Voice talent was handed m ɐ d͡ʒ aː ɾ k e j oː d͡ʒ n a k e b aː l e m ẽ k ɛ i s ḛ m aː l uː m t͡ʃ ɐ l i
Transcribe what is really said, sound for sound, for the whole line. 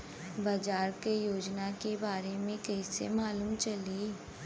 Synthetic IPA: b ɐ d͡ʒ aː ɾ k e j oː d͡ʒ n a k e b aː ɾ e m ẽ k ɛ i s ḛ m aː l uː m t͡ʃ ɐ l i